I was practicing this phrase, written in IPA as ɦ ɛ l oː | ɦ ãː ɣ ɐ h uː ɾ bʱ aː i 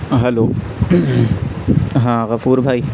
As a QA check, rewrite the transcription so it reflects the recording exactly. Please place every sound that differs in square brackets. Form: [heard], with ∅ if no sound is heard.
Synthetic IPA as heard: ɦ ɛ l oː | ɦ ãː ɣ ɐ [f] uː ɾ bʱ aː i